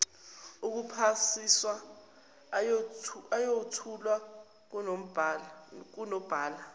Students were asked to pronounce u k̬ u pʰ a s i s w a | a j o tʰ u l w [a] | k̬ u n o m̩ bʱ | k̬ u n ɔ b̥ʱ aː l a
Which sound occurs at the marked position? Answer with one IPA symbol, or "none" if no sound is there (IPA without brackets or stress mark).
a